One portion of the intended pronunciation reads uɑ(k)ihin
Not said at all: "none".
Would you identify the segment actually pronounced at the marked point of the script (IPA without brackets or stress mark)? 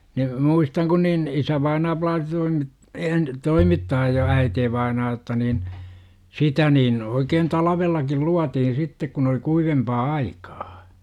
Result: t